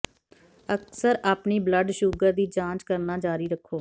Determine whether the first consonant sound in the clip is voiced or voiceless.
voiceless